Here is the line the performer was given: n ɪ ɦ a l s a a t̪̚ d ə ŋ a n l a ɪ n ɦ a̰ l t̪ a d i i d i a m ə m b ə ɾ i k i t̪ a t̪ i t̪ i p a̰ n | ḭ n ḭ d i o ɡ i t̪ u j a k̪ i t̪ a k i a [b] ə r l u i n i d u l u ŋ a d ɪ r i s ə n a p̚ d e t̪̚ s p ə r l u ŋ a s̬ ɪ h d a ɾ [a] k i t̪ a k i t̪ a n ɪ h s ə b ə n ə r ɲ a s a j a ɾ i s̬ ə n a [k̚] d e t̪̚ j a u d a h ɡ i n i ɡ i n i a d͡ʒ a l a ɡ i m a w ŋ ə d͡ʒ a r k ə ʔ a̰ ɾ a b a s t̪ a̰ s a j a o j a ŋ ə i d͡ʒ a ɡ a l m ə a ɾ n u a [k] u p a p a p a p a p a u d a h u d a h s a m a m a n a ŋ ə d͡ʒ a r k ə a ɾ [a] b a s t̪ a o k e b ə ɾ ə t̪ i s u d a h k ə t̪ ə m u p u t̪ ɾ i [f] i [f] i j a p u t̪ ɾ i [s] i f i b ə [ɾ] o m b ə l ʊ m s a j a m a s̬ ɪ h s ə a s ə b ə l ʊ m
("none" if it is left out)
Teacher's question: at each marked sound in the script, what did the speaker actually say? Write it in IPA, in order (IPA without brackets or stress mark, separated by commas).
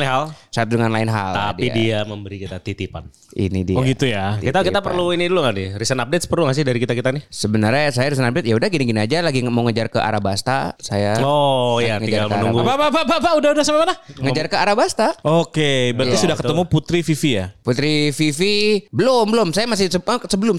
p, i, p̚, ɡ, a, f, f, f, l